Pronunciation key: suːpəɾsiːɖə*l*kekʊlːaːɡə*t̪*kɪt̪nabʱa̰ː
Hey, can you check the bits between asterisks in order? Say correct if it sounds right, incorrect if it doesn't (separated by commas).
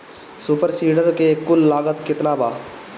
incorrect, correct